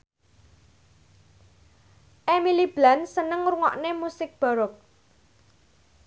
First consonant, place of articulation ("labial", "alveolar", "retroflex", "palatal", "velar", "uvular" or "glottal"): glottal